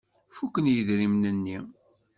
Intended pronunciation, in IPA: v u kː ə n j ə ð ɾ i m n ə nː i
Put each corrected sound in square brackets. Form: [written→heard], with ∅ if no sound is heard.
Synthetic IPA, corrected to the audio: [v→f] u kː ə n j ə ð ɾ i m n ə nː i